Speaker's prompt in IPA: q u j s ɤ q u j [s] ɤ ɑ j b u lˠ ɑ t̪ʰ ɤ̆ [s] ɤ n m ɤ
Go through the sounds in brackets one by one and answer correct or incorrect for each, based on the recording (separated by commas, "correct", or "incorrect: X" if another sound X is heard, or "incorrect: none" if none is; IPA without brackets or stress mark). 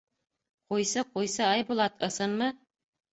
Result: correct, correct